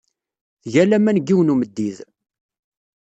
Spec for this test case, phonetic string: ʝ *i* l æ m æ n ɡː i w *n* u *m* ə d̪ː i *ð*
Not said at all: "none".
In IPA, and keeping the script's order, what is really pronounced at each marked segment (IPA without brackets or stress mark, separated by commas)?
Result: æ, n, m, ð